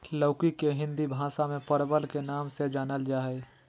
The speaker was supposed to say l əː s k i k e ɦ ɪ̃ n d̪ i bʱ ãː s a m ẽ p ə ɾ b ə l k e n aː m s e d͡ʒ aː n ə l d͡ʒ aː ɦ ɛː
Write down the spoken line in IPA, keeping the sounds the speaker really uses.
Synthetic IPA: l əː k i k e ɦ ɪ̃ n d̪ i bʱ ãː s a m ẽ p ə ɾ b ə l k e n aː m s e d͡ʒ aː n ə l d͡ʒ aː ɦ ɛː